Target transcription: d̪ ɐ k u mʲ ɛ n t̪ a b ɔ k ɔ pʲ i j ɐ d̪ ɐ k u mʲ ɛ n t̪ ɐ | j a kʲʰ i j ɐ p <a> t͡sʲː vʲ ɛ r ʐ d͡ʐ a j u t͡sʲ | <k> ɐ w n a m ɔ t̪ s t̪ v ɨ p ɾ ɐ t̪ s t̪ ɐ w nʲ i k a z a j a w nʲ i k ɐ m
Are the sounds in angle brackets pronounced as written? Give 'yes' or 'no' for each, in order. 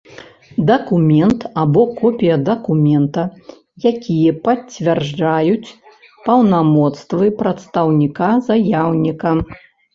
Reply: no, no

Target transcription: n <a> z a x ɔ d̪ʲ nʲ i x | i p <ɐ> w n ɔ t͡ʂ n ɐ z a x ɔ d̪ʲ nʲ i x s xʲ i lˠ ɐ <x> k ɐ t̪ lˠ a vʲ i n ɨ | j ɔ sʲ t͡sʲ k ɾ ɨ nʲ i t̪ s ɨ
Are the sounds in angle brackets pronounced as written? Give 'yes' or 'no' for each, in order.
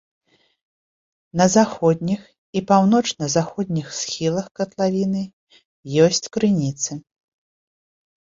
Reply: no, no, yes

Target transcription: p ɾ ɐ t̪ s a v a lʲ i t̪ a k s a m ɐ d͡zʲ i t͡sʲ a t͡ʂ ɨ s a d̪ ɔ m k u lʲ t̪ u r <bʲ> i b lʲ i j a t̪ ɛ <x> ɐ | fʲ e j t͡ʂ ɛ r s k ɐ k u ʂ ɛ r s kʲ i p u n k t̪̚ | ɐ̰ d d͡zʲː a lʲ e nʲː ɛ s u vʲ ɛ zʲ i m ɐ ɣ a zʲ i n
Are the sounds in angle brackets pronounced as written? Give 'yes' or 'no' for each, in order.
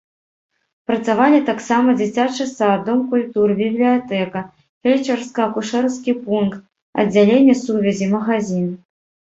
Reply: yes, no

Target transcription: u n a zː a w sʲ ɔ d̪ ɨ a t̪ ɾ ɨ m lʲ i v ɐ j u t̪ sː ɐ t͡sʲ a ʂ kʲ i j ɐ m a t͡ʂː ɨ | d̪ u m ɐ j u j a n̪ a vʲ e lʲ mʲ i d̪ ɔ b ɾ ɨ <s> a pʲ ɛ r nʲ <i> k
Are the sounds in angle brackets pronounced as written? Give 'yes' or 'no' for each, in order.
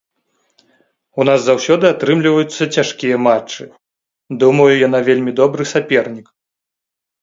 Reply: yes, yes

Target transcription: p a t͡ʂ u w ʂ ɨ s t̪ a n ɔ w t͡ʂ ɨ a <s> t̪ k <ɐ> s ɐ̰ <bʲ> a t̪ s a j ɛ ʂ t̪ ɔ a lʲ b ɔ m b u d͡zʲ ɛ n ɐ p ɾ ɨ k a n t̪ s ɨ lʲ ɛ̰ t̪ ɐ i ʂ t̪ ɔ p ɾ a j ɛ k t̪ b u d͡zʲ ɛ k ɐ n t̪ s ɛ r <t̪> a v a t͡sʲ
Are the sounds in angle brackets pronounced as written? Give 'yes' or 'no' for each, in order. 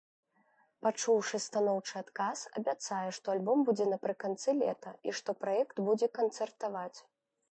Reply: no, no, yes, yes

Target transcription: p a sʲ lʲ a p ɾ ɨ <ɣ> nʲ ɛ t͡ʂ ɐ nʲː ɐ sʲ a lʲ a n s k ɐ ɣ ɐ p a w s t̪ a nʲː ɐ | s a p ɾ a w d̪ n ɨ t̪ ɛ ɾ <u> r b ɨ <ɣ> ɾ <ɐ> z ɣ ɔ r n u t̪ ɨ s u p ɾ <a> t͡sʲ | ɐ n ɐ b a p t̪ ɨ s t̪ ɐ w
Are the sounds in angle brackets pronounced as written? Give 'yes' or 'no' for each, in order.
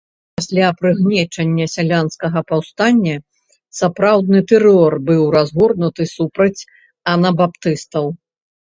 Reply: yes, no, no, no, no

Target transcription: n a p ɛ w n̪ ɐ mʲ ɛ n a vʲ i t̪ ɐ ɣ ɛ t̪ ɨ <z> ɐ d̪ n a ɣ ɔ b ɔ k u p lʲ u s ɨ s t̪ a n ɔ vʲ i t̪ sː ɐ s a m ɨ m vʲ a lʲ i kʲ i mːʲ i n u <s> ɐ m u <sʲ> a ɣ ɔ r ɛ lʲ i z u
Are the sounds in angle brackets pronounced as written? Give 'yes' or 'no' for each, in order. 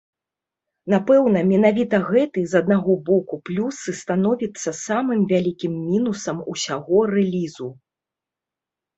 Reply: yes, yes, yes

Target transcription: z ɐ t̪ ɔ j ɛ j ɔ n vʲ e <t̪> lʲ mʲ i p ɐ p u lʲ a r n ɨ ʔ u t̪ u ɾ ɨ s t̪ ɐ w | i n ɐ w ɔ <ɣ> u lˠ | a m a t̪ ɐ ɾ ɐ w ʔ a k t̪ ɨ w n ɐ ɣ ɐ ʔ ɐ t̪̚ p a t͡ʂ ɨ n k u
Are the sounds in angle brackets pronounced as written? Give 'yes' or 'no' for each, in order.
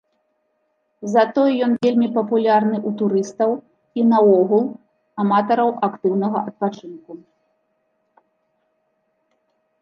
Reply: no, yes

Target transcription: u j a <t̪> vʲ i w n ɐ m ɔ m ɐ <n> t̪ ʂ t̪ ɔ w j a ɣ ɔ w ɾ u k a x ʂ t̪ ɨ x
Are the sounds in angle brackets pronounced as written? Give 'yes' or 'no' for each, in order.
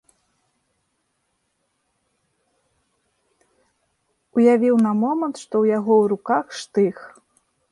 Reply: no, yes

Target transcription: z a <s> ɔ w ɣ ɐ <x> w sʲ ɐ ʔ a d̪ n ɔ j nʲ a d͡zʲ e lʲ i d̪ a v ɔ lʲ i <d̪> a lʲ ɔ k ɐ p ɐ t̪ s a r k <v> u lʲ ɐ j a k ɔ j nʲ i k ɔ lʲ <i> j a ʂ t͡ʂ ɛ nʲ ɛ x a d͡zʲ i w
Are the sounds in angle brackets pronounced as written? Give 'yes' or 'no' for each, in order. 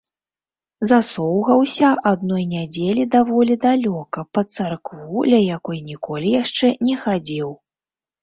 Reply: yes, no, yes, yes, yes

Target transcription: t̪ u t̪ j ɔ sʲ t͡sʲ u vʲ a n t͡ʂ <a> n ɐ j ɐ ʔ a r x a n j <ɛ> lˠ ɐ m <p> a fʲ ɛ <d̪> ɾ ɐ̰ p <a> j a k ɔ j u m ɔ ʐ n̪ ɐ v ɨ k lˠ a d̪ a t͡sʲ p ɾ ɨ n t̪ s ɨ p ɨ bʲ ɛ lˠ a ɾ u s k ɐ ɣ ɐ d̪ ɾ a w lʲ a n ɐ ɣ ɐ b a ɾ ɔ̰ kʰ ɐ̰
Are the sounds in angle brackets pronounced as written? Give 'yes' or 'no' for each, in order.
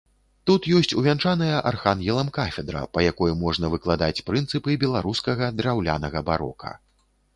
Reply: yes, yes, no, yes, no

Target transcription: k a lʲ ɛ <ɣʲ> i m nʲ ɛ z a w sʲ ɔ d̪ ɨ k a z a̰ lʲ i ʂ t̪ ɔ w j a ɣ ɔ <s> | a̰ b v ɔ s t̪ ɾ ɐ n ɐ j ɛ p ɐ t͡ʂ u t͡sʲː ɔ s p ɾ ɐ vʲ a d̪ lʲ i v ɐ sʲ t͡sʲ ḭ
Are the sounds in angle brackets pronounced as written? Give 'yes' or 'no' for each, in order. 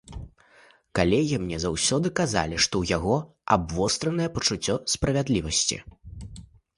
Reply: yes, no

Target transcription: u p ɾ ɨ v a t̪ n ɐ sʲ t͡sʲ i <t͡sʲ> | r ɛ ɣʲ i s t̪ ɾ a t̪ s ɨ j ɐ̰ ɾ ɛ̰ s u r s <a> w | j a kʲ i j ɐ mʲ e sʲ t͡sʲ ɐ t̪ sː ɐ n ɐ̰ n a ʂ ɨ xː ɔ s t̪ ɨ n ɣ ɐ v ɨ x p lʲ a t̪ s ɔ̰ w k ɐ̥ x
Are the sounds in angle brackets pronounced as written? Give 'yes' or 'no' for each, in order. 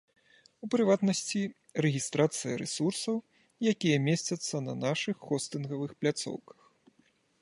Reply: no, no

